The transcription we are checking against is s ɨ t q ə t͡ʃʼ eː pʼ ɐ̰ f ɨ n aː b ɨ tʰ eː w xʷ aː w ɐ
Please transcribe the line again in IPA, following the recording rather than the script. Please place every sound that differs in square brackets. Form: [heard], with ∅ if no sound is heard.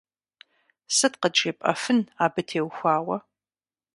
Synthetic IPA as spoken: s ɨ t q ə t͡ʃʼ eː pʼ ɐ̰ f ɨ n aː b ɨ tʰ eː w xʷ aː w ɐ